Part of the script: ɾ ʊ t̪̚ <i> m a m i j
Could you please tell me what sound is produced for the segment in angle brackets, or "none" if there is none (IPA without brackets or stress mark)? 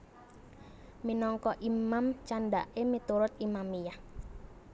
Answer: i